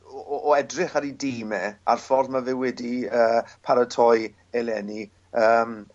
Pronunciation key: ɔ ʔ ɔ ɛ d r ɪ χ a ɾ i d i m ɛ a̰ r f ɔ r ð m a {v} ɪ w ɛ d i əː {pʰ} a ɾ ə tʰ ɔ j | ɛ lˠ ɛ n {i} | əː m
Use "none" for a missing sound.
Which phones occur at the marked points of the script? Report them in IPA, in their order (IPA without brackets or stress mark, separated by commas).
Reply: v, pʰ, i